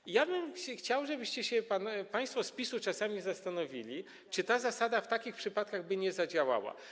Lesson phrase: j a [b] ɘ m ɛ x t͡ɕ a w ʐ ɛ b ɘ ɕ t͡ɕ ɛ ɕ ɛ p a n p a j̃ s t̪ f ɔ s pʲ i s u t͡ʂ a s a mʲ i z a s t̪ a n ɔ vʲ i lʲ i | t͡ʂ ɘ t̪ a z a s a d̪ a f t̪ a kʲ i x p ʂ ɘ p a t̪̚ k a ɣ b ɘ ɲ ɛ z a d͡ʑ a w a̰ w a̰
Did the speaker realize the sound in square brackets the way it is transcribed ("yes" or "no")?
yes